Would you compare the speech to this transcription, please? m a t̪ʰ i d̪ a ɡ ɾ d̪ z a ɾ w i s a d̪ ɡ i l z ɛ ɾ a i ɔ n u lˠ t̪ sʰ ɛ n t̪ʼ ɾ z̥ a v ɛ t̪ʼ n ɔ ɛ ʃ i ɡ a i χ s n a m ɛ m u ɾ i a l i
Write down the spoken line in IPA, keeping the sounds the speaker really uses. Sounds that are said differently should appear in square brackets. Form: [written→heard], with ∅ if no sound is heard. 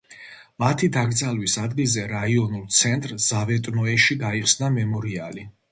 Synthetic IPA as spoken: m a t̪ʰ i d̪ a ɡ ɾ d̪ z a [ɾ→l] w i s a d̪ ɡ i l z ɛ ɾ a i ɔ n u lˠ t̪ sʰ ɛ n t̪ʼ ɾ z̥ a v ɛ t̪ʼ n ɔ ɛ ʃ i ɡ a i χ s n a m ɛ m [u→ɔ] ɾ i a l i